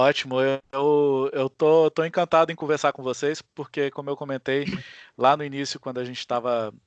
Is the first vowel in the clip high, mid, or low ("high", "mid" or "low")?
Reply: mid